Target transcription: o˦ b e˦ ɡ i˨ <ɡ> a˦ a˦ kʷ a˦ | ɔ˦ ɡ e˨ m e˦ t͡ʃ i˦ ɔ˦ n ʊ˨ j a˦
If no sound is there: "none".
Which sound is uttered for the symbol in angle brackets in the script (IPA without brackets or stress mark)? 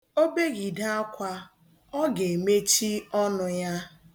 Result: d